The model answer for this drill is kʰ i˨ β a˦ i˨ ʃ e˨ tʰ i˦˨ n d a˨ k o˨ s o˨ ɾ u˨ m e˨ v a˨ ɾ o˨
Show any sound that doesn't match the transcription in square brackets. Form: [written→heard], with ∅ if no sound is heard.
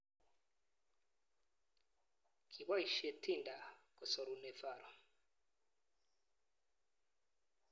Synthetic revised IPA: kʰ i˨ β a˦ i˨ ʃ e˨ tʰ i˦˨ n d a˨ k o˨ s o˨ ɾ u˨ [m→n] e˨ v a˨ ɾ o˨